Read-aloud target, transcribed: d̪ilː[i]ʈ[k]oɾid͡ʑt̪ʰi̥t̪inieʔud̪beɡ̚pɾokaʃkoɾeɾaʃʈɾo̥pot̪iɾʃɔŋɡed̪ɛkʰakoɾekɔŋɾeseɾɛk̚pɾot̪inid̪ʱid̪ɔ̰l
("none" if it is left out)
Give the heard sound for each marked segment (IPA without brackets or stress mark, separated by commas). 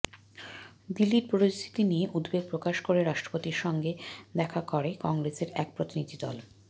i, p